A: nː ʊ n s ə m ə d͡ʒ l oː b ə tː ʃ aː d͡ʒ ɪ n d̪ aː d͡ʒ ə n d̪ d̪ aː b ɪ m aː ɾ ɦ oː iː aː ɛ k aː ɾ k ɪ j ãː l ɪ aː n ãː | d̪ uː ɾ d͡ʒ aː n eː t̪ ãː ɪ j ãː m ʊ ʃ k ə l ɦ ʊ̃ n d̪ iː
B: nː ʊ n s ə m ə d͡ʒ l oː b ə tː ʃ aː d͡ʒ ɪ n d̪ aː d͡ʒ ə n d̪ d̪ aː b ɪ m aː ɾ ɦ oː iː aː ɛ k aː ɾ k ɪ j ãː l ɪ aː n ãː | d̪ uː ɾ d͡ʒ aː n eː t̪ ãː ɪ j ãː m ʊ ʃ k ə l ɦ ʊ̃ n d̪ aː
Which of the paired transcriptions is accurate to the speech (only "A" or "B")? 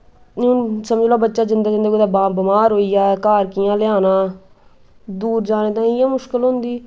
A